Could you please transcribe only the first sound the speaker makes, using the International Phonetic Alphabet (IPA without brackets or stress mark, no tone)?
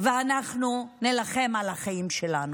v